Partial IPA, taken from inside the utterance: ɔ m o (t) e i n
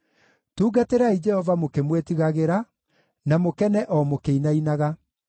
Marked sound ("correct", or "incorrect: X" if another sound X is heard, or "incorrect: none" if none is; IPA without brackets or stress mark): incorrect: k